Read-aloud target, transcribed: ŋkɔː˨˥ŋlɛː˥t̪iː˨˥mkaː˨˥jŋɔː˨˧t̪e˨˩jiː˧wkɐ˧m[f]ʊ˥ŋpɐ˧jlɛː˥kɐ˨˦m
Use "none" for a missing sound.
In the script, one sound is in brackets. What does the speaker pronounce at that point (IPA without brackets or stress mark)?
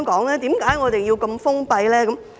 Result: f